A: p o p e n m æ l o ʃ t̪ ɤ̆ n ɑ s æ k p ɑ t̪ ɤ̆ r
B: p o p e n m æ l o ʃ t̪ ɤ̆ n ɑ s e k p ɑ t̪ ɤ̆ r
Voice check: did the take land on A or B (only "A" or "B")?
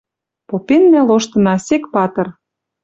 B